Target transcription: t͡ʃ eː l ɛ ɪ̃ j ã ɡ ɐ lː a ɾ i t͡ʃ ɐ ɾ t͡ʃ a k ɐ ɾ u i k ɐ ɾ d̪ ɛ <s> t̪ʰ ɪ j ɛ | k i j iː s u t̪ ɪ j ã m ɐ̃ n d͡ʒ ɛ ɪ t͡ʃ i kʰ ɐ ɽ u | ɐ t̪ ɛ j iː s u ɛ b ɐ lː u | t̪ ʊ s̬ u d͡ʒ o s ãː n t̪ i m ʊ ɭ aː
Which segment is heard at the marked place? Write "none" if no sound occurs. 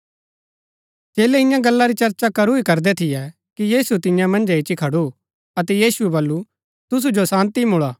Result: none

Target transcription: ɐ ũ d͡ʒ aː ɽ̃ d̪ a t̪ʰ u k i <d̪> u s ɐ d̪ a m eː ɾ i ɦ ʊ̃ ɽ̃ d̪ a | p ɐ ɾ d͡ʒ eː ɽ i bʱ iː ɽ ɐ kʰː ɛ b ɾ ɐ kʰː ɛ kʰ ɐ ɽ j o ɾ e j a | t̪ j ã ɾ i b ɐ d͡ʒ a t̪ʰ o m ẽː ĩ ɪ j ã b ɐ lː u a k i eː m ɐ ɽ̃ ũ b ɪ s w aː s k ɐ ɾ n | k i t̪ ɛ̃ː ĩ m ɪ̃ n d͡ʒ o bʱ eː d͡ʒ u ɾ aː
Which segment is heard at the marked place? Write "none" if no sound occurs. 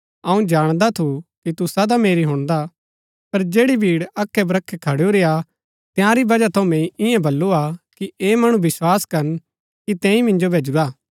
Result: t̪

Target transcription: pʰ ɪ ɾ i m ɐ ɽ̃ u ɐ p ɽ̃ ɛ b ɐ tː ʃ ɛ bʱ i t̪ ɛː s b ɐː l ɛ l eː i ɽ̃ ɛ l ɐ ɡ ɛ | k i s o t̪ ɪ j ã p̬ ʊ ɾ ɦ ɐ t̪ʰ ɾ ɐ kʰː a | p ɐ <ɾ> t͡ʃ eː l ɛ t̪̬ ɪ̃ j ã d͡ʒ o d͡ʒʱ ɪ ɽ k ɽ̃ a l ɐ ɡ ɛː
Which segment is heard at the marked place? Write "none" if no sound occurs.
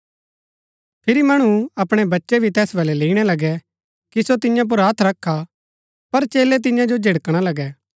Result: ɾ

